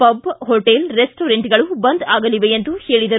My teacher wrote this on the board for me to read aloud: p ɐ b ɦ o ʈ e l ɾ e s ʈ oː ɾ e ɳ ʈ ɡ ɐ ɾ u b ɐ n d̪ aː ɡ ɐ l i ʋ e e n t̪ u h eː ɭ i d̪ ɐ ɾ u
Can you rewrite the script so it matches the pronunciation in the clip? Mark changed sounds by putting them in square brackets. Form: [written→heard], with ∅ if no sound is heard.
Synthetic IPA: p ɐ b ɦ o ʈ e l ɾ e s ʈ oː ɾ e ɳ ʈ ɡ ɐ [ɾ→ɭ] u b ɐ n d̪ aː ɡ ɐ l i ʋ e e n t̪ u h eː ɭ i d̪ ɐ ɾ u

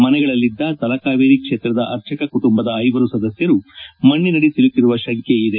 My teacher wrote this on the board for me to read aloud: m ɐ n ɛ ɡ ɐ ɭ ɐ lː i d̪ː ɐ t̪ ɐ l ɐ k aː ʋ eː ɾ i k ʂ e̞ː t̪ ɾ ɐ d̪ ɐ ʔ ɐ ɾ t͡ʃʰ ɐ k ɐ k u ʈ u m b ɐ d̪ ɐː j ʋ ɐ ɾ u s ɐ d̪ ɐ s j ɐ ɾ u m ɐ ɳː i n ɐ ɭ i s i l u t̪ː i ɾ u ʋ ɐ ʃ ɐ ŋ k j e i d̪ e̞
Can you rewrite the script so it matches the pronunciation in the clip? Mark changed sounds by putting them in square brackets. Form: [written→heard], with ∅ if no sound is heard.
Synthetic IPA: m ɐ n ɛ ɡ ɐ ɭ ɐ lː i d̪ː ɐ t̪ ɐ l ɐ k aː ʋ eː ɾ i k ʂ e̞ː t̪ ɾ ɐ d̪ ɐ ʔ ɐ ɾ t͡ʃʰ ɐ k ɐ k u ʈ u m b ɐ d̪ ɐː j ʋ ɐ ɾ u s ɐ d̪ ɐ s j ɐ ɾ u m ɐ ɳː i n ɐ [ɭ→ɽ] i s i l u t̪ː i ɾ u ʋ ɐ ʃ ɐ ŋ k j e i d̪ e̞

